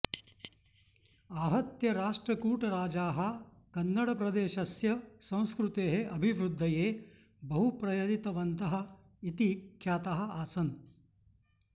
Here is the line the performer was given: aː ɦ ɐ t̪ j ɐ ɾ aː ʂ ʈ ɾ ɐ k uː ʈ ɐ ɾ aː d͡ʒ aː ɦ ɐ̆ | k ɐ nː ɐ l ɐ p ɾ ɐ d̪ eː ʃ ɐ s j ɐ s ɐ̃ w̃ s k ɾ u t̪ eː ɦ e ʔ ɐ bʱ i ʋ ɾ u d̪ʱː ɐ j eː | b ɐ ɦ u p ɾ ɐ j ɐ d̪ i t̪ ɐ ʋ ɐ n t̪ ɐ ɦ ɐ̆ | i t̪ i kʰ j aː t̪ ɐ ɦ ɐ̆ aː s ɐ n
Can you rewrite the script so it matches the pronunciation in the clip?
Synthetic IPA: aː ɦ ɐ t̪ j ɐ ɾ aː ʂ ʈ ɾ ɐ k uː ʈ ɐ ɾ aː d͡ʒ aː ɦ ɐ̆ | k ɐ nː ɐ ɽ ɐ p ɾ ɐ d̪ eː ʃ ɐ s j ɐ s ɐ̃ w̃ s k ɾ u t̪ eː ɦ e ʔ ɐ bʱ i ʋ ɾ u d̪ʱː ɐ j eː | b ɐ ɦ u p ɾ ɐ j ɐ d̪ i t̪ ɐ ʋ ɐ n t̪ ɐ ɦ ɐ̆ | i t̪ i kʰ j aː t̪ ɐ ɦ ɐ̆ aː s ɐ n